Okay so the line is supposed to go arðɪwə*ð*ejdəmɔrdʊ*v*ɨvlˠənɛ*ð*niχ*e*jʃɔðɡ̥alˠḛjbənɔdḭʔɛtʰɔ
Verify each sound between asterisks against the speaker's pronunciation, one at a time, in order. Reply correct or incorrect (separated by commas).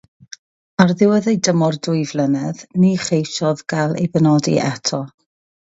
correct, incorrect, correct, correct